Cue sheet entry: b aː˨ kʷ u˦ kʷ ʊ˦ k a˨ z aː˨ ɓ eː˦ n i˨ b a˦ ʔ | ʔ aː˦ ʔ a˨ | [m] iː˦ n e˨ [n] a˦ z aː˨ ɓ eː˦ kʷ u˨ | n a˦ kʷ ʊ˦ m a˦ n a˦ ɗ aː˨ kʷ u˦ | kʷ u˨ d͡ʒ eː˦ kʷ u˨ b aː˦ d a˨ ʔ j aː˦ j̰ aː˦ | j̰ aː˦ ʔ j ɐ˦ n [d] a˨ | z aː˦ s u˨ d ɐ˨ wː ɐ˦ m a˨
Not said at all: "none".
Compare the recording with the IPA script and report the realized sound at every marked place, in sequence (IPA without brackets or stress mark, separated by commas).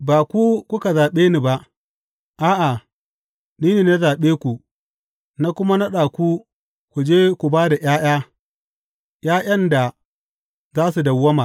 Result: n, n, d